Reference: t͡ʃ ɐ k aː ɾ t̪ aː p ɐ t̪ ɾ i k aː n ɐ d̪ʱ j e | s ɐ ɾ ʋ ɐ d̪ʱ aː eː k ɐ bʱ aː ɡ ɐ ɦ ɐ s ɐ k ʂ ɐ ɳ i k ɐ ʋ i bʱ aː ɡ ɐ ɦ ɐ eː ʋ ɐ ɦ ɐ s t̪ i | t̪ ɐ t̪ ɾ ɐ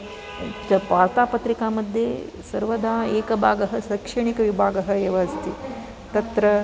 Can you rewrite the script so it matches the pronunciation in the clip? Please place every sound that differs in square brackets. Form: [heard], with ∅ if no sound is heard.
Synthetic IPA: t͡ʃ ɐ [p] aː ɾ t̪ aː p ɐ t̪ ɾ i k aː [m] ɐ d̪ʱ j e | s ɐ ɾ ʋ ɐ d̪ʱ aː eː k ɐ bʱ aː ɡ ɐ ɦ ɐ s ɐ k ʂ ɐ ɳ i k ɐ ʋ i bʱ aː ɡ ɐ ɦ ɐ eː ʋ ɐ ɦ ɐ s t̪ i | t̪ ɐ t̪ ɾ ɐ

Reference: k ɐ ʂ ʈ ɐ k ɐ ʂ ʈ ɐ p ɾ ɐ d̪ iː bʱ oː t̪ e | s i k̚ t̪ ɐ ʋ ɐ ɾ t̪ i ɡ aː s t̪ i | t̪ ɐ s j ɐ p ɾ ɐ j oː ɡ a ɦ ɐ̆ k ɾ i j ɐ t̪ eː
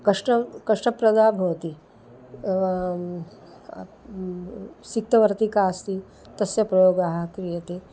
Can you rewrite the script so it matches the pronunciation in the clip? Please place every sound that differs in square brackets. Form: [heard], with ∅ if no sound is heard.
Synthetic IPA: k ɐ ʂ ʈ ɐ k ɐ ʂ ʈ ɐ p ɾ ɐ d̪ [aː] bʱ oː t̪ [i] | s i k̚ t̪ ɐ ʋ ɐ ɾ t̪ i [k] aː s t̪ i | t̪ ɐ s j ɐ p ɾ ɐ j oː ɡ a ɦ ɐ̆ k ɾ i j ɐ t̪ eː

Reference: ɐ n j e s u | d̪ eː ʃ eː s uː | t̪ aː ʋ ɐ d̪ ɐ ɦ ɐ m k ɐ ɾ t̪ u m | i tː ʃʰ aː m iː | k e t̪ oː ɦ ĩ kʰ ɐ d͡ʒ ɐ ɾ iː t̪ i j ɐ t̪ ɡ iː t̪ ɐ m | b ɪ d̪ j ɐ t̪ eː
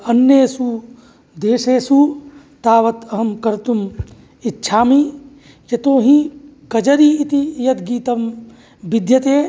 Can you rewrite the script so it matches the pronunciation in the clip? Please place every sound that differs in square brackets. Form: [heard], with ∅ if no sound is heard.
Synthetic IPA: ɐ n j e s u | d̪ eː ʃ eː s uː | t̪ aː ʋ ɐ [t̪] ɐ ɦ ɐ m k ɐ ɾ t̪ u m | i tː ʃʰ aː m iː | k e t̪ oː ɦ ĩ [k] ɐ d͡ʒ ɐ ɾ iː t̪ i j ɐ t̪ ɡ iː t̪ ɐ m | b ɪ d̪ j ɐ t̪ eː

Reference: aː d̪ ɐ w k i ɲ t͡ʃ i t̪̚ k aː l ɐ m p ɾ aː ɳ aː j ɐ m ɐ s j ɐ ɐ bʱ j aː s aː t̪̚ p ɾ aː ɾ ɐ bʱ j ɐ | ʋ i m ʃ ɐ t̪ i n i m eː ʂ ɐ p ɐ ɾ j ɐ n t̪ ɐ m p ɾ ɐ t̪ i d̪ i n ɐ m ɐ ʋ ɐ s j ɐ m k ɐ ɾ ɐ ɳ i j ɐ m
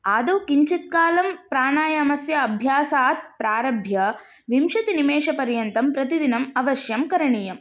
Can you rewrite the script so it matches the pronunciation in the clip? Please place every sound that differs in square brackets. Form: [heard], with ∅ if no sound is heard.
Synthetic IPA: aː d̪ ɐ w k i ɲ t͡ʃ i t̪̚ k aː l ɐ m p ɾ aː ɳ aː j ɐ m ɐ s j ɐ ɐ bʱ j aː s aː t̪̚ p ɾ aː ɾ ɐ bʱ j ɐ | ʋ i m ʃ ɐ t̪ i n i m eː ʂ ɐ p ɐ ɾ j ɐ n t̪ ɐ m p ɾ ɐ t̪ i d̪ i n ɐ m ɐ ʋ ɐ [ʃ] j ɐ m k ɐ ɾ ɐ ɳ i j ɐ m

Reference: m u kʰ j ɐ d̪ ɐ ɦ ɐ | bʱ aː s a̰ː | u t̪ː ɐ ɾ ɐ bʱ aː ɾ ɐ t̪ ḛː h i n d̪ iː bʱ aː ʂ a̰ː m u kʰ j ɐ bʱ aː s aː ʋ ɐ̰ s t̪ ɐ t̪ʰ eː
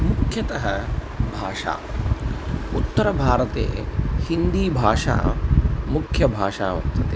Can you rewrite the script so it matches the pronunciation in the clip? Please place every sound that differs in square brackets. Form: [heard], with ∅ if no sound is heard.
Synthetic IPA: m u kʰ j ɐ [t̪] ɐ ɦ ɐ | bʱ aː [ʂ] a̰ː | u t̪ː ɐ ɾ ɐ bʱ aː ɾ ɐ t̪ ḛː h i n d̪ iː bʱ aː ʂ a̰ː m u kʰ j ɐ bʱ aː [ʂ] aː ʋ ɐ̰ s t̪ ɐ [t̪] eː

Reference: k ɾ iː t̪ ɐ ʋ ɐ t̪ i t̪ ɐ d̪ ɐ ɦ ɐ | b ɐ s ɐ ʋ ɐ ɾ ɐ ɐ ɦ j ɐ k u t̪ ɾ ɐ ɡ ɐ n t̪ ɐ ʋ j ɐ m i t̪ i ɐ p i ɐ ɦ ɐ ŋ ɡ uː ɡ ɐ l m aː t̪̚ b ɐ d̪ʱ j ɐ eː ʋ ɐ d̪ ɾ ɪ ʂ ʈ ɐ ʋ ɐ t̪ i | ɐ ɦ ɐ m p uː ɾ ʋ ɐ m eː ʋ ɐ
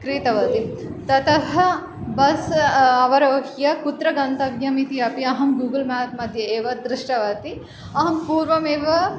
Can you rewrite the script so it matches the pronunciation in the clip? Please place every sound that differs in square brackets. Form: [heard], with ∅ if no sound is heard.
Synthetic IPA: k ɾ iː t̪ ɐ ʋ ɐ t̪ i t̪ ɐ [t̪] ɐ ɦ ɐ | b ɐ s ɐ ʋ ɐ ɾ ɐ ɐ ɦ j ɐ k u t̪ ɾ ɐ ɡ ɐ n t̪ ɐ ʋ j ɐ m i t̪ i ɐ p i ɐ ɦ ɐ [m] ɡ uː ɡ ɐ l m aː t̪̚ [m] ɐ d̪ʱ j ɐ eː ʋ ɐ d̪ ɾ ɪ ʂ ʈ ɐ ʋ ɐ t̪ i | ɐ ɦ ɐ m p uː ɾ ʋ ɐ m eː ʋ ɐ

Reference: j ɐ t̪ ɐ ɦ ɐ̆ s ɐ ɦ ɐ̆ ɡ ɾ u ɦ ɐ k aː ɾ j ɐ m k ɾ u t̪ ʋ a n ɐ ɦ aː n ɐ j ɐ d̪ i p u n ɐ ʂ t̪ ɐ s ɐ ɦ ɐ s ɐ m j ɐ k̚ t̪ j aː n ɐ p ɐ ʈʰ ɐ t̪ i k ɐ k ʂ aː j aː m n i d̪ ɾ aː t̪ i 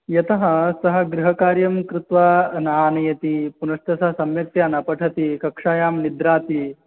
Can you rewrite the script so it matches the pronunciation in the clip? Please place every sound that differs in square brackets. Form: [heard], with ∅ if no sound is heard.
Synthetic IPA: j ɐ t̪ ɐ ɦ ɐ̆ s ɐ ɦ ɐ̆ ɡ ɾ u ɦ ɐ k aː ɾ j ɐ m k ɾ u t̪ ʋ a n ɐ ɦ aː n ɐ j ɐ [t̪] i p u n ɐ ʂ t̪ ɐ s ɐ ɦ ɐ s ɐ m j ɐ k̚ t̪ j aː n ɐ p ɐ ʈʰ ɐ t̪ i k ɐ k ʂ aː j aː m n i d̪ ɾ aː t̪ i

